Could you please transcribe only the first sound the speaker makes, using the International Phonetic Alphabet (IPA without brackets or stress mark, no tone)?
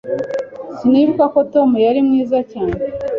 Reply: s